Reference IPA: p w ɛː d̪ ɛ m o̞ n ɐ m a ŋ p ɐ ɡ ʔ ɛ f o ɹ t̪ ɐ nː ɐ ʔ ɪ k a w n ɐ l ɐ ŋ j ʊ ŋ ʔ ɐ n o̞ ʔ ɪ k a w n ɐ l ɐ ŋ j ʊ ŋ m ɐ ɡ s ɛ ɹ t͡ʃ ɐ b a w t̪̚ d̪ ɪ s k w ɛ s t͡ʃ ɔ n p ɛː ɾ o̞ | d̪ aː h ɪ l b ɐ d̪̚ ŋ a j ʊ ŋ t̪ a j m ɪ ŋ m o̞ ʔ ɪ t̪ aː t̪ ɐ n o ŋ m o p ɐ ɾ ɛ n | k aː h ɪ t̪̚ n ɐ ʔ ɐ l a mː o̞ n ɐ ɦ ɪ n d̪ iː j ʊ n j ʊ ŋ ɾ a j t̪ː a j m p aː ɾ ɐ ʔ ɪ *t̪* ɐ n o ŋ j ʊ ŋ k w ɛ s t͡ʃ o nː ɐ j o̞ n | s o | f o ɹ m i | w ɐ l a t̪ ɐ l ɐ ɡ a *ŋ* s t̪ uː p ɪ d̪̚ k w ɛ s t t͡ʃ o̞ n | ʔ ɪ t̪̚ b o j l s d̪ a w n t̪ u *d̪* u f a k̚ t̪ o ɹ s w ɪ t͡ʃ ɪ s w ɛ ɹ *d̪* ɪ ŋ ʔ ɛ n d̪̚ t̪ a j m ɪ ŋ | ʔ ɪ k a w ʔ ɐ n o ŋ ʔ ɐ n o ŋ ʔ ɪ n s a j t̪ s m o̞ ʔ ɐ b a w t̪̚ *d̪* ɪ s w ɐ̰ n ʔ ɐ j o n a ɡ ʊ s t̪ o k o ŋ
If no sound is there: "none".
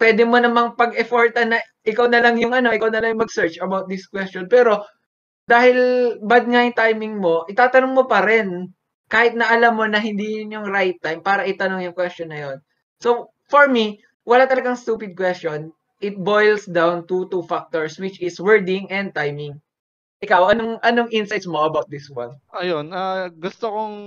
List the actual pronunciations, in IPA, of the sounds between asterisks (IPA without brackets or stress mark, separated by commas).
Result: t̪, ŋ, t̪, d̪, d̪